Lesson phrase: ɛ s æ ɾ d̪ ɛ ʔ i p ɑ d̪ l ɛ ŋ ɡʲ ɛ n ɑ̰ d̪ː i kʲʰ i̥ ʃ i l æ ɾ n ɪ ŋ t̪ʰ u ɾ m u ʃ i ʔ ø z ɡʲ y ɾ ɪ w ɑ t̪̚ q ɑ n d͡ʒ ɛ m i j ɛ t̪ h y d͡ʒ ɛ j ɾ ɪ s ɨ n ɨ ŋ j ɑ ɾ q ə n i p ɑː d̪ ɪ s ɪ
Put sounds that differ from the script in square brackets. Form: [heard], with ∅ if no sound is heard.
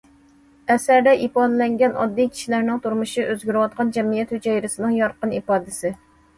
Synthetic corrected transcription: ɛ s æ ɾ d̪ ɛ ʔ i p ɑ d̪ l ɛ ŋ ɡʲ ɛ n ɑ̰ d̪ː i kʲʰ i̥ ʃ i l æ ɾ n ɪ ŋ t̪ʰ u ɾ m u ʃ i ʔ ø z ɡʲ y ɾ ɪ w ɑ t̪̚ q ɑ n d͡ʒ ɛ m i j ɛ t̪ h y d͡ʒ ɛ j ɾ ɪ s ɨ n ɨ ŋ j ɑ ɾ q ə n i p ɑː d̪ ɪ s ɪ